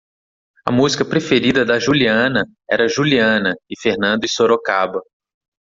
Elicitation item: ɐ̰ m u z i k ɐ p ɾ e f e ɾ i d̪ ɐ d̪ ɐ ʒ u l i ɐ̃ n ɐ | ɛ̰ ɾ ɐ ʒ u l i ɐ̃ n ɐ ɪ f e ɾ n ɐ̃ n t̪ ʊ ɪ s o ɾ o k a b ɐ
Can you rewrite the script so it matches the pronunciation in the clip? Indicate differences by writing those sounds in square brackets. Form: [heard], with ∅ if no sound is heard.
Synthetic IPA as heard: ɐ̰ m u z i k ɐ p ɾ e f e ɾ i d̪ ɐ d̪ ɐ ʒ u l i ɐ̃ n ɐ | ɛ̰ ɾ ɐ ʒ u l i ɐ̃ n ɐ ɪ f e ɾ n ɐ̃ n [d̪] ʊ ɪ s o ɾ o k a b ɐ